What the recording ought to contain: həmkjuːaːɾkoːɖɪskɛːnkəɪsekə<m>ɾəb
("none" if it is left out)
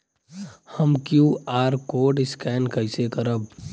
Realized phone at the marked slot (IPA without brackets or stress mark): none